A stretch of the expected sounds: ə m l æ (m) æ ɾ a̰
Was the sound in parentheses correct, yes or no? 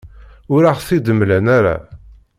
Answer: no